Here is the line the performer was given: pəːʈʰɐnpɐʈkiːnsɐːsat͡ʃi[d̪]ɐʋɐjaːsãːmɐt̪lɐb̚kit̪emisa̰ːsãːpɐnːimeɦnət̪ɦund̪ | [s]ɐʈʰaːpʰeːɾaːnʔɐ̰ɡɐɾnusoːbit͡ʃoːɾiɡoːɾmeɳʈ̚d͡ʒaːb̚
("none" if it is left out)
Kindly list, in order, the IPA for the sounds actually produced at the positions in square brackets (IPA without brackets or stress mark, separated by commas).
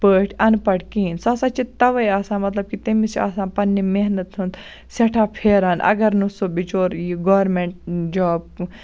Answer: t̪, s